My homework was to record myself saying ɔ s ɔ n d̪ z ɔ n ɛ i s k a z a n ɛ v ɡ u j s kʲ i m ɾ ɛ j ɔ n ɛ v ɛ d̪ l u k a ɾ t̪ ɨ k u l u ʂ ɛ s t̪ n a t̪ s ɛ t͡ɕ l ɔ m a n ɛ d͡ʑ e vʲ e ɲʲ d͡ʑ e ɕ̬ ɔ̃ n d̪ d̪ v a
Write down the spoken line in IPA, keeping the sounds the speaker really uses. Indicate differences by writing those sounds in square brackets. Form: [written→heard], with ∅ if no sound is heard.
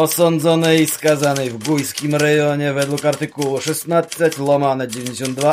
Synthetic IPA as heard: ɔ s ɔ n d̪ z ɔ n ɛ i s k a z a n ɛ v ɡ u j s kʲ i m ɾ ɛ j ɔ [n→ɲ] ɛ v ɛ d̪ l u k a ɾ t̪ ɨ k u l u ʂ ɛ s t̪ n a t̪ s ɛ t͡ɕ l ɔ m a n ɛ d͡ʑ e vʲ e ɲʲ d͡ʑ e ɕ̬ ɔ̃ n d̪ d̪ v a